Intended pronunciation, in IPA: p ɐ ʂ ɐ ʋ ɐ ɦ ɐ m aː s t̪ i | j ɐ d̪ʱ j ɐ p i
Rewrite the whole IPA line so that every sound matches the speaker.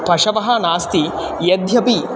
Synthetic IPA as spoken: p ɐ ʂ ɐ ʋ ɐ ɦ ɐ n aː s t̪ i | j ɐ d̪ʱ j ɐ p i